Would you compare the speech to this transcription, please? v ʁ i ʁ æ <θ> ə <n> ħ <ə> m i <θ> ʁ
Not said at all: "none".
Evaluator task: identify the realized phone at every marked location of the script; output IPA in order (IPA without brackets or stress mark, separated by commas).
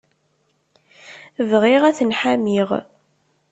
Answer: θ, n, a, none